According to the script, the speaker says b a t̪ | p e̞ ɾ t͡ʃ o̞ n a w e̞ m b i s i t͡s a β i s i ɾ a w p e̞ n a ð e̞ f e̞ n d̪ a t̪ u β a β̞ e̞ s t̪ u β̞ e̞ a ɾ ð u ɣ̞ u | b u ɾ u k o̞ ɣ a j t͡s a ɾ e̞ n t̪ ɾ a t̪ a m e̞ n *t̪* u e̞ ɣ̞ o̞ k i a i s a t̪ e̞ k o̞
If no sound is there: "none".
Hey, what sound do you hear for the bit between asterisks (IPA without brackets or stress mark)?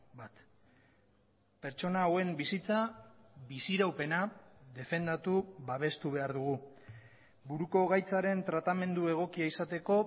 d̪